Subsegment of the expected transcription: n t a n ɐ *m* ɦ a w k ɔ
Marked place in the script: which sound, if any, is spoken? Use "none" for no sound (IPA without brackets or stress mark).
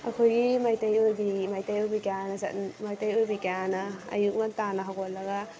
none